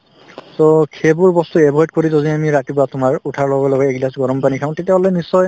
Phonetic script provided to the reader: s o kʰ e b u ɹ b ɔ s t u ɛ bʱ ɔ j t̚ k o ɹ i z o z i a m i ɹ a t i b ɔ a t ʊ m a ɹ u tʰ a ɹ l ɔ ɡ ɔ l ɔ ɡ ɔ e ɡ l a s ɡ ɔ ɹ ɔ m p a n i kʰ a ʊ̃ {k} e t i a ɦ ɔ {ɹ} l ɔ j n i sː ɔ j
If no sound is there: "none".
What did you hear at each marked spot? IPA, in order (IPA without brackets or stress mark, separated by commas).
t, none